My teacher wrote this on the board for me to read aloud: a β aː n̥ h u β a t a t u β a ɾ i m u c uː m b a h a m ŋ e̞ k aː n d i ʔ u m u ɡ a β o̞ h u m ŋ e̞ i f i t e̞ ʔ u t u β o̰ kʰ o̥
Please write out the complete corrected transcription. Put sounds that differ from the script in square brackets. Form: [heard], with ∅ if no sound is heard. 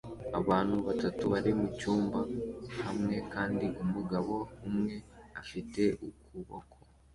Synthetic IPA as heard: a β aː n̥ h u β a t a t u β a ɾ i m u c uː m b a h a m ŋ e̞ k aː n d i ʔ u m u ɡ a β o̞ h u m ŋ e̞ [a] f i t e̞ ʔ u [k] u β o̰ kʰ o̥